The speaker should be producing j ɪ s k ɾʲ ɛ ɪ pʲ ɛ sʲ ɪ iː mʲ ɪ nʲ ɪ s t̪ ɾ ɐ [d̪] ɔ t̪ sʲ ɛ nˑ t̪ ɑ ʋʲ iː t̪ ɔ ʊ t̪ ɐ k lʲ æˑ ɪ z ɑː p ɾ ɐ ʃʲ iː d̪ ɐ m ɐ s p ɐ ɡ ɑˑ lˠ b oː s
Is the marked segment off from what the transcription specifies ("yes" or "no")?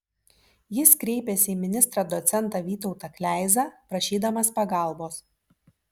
no